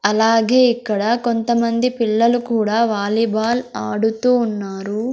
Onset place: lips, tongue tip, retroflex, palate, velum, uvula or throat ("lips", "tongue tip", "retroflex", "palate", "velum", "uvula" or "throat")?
tongue tip